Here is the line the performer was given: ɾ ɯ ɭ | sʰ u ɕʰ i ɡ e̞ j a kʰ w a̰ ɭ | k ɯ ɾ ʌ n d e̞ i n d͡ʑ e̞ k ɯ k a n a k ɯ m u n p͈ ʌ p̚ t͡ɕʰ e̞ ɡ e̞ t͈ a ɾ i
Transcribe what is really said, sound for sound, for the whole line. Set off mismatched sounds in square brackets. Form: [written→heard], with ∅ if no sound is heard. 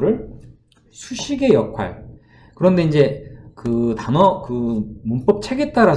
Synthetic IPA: ɾ ɯ ɭ | sʰ u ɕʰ i ɡ e̞ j [a→ʌ] kʰ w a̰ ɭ | k ɯ ɾ ʌ n d e̞ i n d͡ʑ e̞ k ɯ [k→t] a n [a→ʌ] k ɯ m u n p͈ ʌ p̚ t͡ɕʰ e̞ ɡ e̞ t͈ a ɾ [i→a]